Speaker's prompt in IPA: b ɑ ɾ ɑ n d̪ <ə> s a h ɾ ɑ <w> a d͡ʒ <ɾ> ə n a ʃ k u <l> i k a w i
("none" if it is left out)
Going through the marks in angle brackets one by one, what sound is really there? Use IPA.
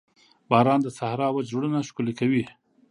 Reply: ə, w, ɽ, l

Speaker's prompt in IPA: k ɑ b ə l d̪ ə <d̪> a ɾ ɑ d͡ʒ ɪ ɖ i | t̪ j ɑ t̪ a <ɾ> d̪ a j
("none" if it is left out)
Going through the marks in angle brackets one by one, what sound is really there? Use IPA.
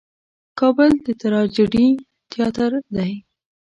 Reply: t̪, ɾ

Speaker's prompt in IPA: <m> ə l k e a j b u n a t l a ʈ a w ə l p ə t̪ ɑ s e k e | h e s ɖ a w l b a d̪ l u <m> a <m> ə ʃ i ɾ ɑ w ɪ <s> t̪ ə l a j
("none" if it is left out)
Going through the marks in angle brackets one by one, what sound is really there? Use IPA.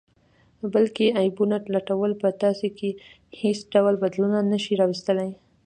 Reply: b, n, n, s

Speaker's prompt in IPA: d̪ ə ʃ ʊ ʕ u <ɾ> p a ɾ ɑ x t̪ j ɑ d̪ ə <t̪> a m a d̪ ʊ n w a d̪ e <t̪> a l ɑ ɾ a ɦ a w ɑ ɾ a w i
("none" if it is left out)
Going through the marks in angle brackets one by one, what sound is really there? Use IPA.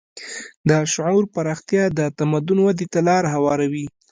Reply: ɾ, t̪, t̪

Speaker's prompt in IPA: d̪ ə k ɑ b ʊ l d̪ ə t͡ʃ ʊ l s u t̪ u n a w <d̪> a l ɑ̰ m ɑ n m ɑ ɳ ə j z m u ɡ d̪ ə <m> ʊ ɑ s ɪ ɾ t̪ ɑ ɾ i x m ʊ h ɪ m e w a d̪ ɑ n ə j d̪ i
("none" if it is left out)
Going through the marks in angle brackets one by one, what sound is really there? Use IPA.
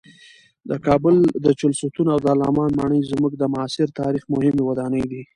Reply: d̪, m

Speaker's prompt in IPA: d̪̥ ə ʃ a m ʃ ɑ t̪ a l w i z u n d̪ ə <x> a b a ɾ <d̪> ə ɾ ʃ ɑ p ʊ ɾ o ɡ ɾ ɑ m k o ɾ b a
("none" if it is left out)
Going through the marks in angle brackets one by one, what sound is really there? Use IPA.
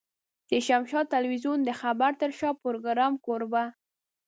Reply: x, t̪

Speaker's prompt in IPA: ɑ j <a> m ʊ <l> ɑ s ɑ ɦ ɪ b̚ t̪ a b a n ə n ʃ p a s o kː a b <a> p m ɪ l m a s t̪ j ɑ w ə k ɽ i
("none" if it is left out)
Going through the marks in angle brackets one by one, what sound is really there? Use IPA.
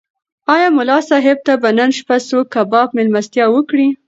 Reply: ɑ, l, ɑ

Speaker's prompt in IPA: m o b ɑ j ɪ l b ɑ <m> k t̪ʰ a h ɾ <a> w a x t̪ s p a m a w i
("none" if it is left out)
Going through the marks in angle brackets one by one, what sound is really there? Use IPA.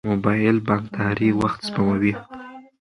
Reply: ŋ, i

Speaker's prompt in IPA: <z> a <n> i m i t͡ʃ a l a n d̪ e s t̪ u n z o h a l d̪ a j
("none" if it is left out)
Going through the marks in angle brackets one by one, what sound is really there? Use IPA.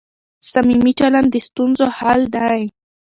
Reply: s, m

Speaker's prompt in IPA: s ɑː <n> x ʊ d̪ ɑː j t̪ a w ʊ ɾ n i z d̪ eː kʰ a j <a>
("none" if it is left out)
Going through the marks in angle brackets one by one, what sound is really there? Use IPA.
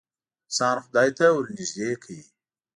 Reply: n, i

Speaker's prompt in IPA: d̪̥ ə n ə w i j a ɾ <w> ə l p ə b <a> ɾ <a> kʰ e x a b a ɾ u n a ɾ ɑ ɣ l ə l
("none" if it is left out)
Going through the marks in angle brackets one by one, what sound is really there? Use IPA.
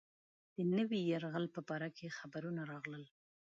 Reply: ɣ, ɑ, a

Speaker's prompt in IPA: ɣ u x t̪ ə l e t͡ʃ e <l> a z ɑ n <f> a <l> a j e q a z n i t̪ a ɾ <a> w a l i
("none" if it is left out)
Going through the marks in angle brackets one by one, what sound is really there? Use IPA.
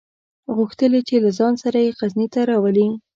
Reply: l, s, ɾ, ɑ

